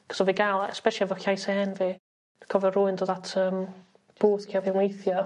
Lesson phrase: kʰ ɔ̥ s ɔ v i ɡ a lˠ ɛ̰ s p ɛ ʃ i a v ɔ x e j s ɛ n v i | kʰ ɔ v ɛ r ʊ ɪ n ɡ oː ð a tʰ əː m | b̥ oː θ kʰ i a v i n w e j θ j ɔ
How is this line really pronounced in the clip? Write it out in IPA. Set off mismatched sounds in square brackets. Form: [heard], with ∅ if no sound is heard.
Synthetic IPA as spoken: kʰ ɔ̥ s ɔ v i ɡ a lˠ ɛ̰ s p ɛ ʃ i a v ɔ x [a] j s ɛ n v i | kʰ ɔ v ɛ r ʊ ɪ n [d] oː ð a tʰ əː m | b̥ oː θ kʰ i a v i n w e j θ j ɔ